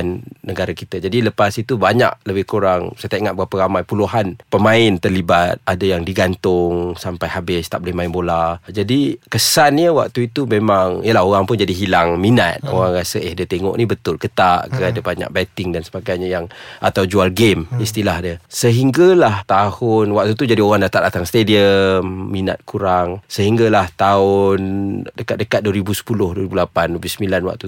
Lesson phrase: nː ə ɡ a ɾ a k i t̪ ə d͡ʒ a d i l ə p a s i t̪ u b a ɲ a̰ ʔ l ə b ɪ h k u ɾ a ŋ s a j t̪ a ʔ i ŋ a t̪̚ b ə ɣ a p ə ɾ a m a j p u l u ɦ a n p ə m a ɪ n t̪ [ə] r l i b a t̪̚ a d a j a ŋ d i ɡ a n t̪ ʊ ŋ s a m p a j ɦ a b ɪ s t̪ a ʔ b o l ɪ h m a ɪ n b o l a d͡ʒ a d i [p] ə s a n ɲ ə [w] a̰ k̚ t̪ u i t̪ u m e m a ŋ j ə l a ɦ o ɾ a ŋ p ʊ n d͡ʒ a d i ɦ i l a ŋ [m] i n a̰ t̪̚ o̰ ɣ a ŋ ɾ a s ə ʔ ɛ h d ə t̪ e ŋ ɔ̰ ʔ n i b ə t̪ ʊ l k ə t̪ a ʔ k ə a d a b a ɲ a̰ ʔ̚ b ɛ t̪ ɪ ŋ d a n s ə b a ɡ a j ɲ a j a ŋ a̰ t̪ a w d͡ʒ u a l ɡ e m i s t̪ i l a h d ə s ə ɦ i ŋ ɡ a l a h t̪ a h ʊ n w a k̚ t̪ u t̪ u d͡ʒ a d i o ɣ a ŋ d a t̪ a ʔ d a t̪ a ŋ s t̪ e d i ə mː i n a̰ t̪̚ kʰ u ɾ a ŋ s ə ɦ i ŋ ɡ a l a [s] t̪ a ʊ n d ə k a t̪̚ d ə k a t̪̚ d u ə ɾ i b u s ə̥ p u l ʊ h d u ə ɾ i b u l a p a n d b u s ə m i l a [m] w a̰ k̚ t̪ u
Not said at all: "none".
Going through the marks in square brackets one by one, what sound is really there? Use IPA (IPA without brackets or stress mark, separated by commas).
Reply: ə, k, w, m, h, n